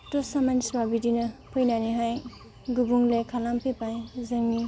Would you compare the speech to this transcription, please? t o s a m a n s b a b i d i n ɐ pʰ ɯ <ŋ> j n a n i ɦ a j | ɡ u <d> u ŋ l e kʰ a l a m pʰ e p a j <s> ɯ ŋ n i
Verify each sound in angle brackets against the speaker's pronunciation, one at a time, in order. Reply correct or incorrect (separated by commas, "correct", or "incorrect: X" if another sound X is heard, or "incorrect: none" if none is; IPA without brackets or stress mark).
incorrect: none, incorrect: b, incorrect: z